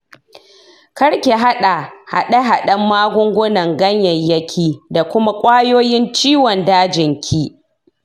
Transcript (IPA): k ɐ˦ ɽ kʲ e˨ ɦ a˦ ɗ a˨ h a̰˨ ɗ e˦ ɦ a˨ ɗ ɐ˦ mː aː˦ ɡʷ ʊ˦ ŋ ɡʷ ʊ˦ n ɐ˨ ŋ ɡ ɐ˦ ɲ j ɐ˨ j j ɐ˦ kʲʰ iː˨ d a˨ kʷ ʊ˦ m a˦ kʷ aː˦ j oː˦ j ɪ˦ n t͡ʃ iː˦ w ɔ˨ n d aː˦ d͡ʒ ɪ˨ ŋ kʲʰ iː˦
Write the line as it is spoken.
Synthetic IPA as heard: k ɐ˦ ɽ kʲ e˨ ɦ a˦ ɗ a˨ h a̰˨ ɗ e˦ ɦ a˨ ɗ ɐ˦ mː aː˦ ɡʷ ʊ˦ ŋ ɡʷ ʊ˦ n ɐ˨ ŋ ɡ ɐ˦ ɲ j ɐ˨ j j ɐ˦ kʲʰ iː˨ d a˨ kʷ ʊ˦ m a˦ kʷʼ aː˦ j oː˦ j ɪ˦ n t͡ʃ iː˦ w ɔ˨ n d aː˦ d͡ʒ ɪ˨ ŋ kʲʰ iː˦